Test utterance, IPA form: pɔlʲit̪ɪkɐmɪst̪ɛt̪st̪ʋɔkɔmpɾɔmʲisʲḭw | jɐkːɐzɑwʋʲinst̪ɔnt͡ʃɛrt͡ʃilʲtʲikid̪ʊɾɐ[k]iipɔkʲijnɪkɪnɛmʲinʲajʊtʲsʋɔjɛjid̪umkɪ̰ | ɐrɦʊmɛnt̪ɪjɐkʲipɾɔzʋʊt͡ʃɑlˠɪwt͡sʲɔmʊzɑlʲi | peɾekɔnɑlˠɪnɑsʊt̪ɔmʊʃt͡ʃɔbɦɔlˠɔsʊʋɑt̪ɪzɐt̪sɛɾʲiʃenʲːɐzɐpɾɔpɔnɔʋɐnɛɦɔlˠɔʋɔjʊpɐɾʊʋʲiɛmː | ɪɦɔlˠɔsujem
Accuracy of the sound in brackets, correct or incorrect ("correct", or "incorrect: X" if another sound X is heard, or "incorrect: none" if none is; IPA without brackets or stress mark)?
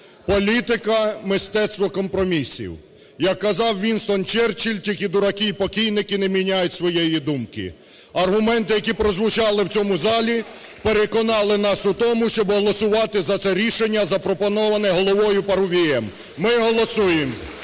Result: correct